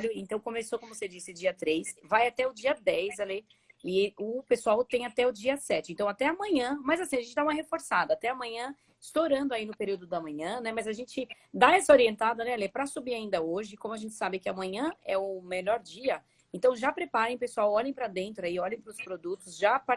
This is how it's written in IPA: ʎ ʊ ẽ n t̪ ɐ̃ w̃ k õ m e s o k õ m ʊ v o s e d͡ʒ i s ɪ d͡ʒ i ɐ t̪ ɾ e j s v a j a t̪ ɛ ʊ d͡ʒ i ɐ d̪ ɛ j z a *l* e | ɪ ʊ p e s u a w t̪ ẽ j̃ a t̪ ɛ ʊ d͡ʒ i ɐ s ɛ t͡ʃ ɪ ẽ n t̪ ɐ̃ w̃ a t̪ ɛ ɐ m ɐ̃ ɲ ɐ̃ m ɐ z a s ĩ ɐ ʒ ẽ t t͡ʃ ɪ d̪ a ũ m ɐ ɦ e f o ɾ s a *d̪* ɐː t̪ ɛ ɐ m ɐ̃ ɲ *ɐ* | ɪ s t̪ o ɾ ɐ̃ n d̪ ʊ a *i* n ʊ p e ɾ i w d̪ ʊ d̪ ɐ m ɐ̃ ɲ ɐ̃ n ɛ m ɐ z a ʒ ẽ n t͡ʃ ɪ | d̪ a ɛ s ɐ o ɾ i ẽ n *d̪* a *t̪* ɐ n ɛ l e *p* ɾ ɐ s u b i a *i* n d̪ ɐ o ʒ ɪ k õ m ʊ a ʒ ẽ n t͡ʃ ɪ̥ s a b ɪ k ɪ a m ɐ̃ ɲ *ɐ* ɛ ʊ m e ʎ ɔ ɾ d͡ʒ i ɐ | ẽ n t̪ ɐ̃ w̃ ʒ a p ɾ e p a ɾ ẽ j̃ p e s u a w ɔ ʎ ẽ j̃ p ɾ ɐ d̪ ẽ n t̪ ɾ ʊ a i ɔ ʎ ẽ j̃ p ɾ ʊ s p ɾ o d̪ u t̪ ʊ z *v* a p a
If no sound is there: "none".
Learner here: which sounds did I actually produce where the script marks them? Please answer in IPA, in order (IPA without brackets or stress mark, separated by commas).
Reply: l, d̪, ɐ̃, i, t̪, d̪, p, ĩ, ɐ̃, ʒ